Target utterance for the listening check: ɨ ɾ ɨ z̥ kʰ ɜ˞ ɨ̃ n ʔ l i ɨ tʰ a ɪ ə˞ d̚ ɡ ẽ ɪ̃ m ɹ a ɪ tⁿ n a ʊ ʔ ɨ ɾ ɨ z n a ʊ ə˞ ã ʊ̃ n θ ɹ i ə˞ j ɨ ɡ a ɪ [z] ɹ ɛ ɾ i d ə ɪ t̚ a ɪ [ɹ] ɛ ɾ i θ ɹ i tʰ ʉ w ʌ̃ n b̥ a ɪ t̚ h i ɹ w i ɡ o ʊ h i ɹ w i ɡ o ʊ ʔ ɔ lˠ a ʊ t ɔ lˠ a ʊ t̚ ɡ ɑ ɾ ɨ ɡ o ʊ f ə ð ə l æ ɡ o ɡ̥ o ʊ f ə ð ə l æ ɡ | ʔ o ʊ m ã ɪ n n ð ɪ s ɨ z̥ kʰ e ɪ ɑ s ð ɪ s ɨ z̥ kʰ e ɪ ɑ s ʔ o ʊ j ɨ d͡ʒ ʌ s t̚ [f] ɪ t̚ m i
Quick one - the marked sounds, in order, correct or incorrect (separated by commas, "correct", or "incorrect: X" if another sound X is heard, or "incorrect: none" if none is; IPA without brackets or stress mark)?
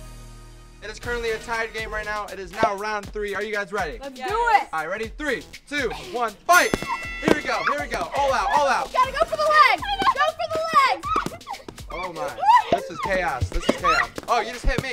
correct, correct, incorrect: h